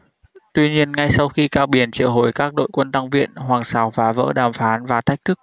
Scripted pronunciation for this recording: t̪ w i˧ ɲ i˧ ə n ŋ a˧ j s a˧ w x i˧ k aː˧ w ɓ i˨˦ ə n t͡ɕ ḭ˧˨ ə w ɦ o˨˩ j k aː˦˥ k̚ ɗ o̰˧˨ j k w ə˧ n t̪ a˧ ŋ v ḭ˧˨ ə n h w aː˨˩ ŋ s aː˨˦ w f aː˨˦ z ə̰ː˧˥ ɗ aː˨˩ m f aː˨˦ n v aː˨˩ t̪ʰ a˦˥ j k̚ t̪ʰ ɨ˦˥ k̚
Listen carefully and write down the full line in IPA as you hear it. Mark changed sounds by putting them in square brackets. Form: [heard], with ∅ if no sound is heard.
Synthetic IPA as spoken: t̪ w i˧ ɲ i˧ ə n ŋ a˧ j s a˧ w x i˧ k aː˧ w ɓ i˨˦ ə n t͡ɕ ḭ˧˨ ə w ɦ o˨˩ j k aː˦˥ k̚ ɗ o̰˧˨ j k w ə˧ n t̪ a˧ ŋ v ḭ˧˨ ə n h w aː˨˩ ŋ s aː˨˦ w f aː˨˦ [v] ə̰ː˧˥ ɗ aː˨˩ m f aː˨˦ n v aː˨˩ t̪ʰ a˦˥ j k̚ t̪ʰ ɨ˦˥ k̚

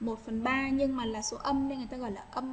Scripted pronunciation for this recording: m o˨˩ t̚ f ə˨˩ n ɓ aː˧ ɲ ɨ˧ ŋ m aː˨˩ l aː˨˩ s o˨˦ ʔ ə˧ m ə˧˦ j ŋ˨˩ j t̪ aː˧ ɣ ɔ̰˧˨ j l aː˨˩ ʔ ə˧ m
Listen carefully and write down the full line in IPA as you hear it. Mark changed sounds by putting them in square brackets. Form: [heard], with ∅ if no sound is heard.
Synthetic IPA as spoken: m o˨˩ t̚ f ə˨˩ n ɓ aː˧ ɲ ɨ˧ ŋ m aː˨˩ l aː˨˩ s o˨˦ ʔ ə˧ m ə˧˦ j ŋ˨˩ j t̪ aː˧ ɣ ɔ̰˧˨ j l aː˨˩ ʔ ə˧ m

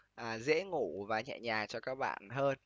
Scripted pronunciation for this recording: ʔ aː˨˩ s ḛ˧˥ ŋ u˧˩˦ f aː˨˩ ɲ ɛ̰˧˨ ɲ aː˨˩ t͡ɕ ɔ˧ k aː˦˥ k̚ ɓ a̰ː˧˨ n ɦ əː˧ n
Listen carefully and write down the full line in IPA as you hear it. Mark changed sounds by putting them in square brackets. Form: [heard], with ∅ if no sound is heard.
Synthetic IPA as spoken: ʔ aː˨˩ [z] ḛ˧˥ ŋ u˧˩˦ [v] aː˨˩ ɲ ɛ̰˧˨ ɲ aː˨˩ t͡ɕ ɔ˧ k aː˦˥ k̚ ɓ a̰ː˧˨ n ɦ əː˧ n

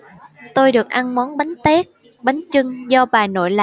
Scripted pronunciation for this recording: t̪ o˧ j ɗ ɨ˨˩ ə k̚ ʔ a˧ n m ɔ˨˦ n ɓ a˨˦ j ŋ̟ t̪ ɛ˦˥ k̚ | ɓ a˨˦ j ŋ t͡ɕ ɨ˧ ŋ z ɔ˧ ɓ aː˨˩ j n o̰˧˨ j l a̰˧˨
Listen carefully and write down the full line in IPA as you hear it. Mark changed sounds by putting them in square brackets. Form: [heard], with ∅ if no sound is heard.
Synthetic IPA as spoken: t̪ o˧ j ɗ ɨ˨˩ ə k̚ ʔ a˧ n m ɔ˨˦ n ɓ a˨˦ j ŋ̟ t̪ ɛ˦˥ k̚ | ɓ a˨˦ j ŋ t͡ɕ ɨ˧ ŋ z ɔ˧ ɓ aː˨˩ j n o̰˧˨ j l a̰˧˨

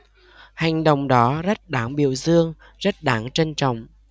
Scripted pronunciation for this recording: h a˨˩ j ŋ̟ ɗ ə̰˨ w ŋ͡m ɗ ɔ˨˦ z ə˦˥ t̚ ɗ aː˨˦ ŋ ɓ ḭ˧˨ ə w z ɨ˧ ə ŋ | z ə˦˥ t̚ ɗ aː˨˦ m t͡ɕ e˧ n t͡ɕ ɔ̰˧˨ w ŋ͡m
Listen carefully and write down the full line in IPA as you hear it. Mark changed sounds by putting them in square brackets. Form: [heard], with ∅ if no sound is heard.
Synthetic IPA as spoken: h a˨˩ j ŋ̟ ɗ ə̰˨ w ŋ͡m ɗ ɔ˨˦ z ə˦˥ t̚ ɗ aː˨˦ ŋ ɓ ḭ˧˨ ə w z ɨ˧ ə ŋ | z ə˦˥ t̚ ɗ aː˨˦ [ŋ] t͡ɕ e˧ n t͡ɕ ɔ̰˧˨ w ŋ͡m

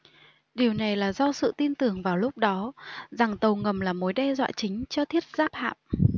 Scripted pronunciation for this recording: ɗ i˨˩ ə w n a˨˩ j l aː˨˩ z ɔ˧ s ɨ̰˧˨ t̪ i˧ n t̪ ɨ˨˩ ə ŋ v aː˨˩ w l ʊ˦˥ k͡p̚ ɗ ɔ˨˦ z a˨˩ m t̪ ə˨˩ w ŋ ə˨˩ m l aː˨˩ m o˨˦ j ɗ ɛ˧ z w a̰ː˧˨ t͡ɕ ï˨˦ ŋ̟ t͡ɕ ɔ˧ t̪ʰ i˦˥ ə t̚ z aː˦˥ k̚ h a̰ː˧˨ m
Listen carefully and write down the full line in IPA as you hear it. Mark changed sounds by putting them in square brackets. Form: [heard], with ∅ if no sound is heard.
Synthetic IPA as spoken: ɗ i˨˩ ə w n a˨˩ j l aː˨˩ z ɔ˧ s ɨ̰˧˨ t̪ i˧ n t̪ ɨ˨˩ ə ŋ v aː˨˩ w l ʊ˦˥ k͡p̚ ɗ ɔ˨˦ z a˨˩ [ŋ] t̪ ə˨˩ w ŋ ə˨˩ m l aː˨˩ m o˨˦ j ɗ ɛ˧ z w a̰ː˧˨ t͡ɕ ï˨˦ ŋ̟ t͡ɕ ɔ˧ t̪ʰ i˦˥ ə t̚ z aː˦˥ [p̚] h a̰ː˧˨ m

